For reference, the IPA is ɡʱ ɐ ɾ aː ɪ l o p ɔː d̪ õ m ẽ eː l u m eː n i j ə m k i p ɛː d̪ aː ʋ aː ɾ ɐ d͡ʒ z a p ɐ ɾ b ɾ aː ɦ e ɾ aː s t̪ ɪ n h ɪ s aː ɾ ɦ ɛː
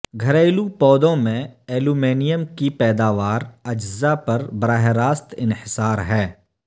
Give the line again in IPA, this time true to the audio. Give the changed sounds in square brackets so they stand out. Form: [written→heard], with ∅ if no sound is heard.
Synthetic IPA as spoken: ɡʱ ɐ ɾ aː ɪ l [o→u] p ɔː d̪ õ m ẽ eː l u m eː n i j ə m k i p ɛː d̪ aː ʋ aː ɾ ɐ d͡ʒ z a p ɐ ɾ b ɾ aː ɦ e ɾ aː s t̪ ɪ n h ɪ s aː ɾ ɦ ɛː